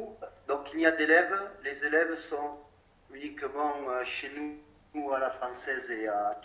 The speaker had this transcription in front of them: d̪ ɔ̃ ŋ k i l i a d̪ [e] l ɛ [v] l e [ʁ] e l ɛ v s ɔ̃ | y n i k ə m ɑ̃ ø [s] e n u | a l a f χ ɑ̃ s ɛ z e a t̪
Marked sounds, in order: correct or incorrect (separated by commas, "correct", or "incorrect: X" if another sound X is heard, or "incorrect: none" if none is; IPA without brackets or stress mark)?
correct, correct, incorrect: z, incorrect: ʃ